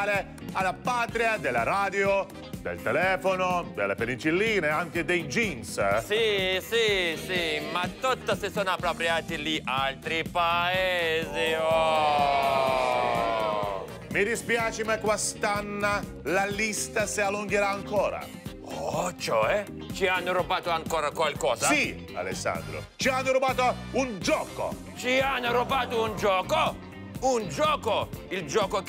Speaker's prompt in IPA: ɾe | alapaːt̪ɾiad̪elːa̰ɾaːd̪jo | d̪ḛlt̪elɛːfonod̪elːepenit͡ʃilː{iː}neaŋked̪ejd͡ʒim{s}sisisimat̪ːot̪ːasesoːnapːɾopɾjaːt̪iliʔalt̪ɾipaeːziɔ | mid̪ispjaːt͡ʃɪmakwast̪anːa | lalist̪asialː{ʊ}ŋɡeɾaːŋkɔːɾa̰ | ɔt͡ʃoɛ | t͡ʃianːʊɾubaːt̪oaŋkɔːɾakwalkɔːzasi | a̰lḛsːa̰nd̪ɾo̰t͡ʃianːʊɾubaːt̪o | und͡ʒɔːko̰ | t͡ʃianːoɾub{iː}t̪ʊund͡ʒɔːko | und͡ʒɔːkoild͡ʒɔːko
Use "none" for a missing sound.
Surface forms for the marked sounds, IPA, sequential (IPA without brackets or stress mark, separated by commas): iː, s, u, aː